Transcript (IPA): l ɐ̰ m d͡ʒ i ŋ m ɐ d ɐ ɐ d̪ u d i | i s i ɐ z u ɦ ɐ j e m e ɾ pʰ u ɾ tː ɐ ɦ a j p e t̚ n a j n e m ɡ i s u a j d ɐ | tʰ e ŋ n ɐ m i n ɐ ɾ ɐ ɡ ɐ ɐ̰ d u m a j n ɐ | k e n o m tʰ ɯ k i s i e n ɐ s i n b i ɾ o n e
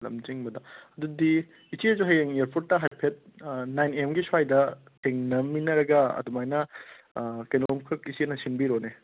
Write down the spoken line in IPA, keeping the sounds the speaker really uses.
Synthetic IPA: l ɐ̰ m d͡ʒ i ŋ b ɐ d ɐ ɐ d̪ u d i | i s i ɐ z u ɦ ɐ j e ŋ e ɾ pʰ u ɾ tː ɐ ɦ a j pʰ e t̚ n a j n e m ɡ i s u a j d ɐ | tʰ e ŋ n ɐ m i n ɐ ɾ ɐ ɡ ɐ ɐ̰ d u m a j n ɐ | k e n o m kʰ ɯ k i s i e n ɐ s i n b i ɾ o n e